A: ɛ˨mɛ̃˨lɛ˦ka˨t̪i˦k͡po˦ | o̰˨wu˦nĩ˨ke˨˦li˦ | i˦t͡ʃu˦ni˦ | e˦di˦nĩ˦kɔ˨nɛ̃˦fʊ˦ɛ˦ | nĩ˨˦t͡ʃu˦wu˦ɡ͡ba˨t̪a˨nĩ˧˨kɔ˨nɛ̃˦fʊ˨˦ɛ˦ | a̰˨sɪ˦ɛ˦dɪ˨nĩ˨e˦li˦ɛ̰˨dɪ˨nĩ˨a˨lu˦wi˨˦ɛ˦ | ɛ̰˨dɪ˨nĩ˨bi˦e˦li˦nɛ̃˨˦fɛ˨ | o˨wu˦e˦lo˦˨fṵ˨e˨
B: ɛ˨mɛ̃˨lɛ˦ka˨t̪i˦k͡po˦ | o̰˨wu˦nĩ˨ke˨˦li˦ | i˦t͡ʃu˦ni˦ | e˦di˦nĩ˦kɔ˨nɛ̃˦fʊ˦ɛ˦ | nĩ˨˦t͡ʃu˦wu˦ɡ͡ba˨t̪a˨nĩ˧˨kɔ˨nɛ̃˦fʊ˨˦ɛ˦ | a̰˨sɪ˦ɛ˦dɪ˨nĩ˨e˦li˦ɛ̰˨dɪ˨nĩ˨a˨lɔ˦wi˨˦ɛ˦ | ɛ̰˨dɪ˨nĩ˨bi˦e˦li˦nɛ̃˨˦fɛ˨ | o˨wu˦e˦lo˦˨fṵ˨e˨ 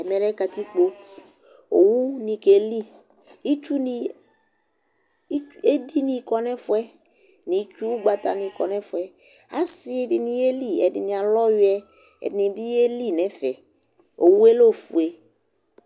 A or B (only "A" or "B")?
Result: B